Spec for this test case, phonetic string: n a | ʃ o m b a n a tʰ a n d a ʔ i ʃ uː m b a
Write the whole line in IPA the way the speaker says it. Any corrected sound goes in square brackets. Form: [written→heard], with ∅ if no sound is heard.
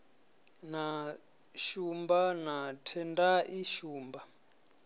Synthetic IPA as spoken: n a | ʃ [o→u] m b a n a tʰ [a→ɛ] n d a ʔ i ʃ uː m b a